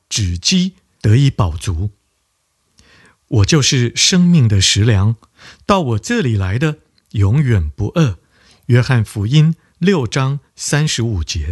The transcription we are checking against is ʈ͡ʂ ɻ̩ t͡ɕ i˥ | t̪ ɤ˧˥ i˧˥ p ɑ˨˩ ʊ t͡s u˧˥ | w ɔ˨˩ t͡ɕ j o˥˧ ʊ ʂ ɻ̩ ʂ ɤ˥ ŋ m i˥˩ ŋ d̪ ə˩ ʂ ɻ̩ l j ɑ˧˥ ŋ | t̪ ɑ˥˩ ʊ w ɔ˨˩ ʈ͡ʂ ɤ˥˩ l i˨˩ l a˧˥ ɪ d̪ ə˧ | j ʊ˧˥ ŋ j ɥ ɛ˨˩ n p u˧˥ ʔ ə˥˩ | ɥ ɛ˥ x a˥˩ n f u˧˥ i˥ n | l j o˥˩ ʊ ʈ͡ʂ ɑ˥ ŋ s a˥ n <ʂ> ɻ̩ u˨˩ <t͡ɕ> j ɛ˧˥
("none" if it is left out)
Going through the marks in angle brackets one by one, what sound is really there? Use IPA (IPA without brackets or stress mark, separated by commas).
ʂ, t͡ɕ